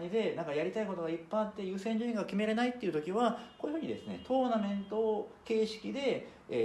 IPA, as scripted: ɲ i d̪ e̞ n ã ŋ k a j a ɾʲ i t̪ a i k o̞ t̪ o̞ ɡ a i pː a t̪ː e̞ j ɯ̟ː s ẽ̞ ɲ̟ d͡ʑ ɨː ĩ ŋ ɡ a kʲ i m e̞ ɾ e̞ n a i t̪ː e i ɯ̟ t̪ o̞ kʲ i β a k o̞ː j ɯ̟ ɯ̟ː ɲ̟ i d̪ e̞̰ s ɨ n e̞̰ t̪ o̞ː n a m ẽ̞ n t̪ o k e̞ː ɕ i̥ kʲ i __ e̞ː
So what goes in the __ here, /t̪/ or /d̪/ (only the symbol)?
d̪